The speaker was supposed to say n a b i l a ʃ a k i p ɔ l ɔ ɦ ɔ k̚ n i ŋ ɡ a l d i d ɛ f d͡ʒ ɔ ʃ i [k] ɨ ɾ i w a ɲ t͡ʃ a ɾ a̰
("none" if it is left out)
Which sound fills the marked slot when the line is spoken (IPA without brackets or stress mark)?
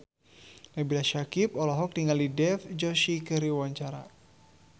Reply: k